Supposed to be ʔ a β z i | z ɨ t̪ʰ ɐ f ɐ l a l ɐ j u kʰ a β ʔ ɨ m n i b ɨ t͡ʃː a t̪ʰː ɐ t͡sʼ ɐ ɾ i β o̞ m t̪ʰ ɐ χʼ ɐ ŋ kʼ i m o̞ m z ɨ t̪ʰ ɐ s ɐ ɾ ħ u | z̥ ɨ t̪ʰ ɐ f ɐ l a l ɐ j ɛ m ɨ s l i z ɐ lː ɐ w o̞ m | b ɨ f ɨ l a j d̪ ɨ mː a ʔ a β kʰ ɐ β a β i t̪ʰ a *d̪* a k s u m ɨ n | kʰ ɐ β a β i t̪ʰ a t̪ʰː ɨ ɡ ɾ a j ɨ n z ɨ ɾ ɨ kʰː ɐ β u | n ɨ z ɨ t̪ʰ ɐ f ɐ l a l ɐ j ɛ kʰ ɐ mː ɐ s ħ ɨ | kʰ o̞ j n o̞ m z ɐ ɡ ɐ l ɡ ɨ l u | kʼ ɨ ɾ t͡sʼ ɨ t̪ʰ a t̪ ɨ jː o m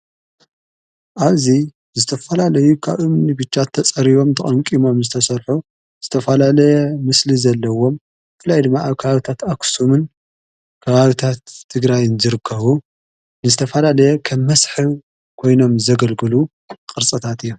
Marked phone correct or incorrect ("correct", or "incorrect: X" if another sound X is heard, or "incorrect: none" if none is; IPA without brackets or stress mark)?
incorrect: t̪